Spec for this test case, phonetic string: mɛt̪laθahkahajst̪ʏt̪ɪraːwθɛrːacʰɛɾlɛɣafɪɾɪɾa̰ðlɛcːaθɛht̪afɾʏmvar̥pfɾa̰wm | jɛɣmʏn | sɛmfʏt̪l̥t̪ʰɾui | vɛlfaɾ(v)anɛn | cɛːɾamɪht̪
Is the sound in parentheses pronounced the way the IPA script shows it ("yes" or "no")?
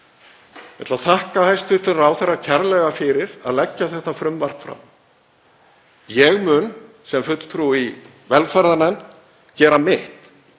no